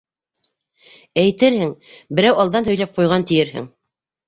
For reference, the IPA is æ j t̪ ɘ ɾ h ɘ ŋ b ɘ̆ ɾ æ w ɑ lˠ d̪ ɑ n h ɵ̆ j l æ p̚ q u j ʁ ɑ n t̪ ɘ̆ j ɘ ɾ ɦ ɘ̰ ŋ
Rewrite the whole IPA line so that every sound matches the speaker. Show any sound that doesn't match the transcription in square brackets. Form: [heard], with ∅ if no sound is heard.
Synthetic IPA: æ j t̪ ɘ ɾ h ɘ ŋ b ɘ̆ ɾ æ w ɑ lˠ d̪ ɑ n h ɵ̆ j l æ p̚ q u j ʁ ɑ n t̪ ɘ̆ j ɘ ɾ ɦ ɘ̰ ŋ